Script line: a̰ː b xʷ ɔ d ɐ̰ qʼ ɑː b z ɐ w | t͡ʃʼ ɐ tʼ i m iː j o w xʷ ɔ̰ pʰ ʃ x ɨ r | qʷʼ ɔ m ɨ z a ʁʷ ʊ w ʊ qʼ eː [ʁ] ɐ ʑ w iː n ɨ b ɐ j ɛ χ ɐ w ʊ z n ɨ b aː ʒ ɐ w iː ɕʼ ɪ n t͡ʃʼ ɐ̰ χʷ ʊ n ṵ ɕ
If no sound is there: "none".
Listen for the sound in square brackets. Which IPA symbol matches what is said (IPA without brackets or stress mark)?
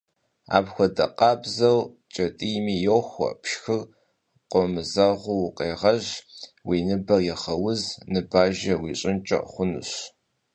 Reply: ʁ